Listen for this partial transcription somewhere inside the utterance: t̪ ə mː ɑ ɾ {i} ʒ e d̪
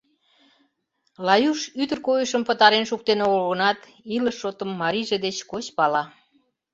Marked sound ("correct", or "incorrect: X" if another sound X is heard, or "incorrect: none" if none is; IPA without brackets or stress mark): correct